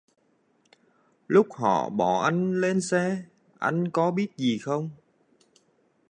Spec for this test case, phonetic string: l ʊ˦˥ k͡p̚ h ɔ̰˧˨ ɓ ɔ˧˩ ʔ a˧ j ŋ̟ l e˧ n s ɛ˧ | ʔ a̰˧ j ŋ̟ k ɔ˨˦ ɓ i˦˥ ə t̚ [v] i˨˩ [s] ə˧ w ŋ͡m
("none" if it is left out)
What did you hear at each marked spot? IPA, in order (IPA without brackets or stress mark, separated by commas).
z, x